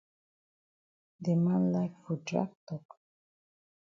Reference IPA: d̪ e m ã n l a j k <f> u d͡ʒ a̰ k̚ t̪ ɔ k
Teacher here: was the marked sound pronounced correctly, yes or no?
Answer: yes